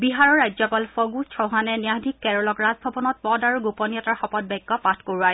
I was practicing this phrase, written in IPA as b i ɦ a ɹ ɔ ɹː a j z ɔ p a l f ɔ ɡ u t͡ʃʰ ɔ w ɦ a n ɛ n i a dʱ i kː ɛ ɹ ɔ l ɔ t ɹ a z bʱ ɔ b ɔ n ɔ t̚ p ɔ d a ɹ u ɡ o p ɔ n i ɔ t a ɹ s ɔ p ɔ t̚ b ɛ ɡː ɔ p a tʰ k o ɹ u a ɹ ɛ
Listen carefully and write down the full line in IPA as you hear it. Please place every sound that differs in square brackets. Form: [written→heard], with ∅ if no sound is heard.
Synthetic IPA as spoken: b i ɦ a ɹ ɔ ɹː a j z ɔ p a l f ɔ ɡ u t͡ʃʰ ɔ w ɦ a n ɛ n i a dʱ i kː ɛ ɹ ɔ l ɔ [t→k] ɹ a z bʱ ɔ b ɔ n ɔ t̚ p ɔ d a ɹ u ɡ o p ɔ n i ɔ t a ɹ [s→x] ɔ p ɔ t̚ b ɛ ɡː ɔ p a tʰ k o ɹ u a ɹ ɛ